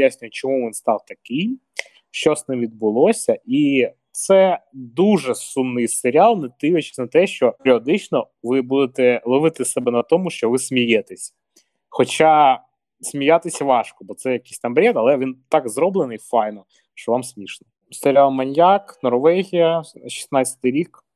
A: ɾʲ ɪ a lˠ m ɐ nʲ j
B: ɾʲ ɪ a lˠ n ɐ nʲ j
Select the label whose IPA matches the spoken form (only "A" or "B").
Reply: A